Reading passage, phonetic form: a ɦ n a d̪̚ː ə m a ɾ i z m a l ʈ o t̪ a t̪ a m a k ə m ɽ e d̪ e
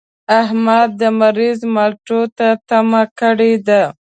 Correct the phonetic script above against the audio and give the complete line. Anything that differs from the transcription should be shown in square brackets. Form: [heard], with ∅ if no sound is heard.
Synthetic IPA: a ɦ [m] a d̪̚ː ə m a ɾ i z m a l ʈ o t̪ a t̪ a m a k ə [∅] ɽ e d̪ [a]